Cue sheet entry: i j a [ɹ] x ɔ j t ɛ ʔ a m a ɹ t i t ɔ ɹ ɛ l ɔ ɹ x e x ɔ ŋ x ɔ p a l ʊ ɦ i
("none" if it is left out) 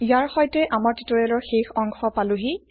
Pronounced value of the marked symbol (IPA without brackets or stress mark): ɹ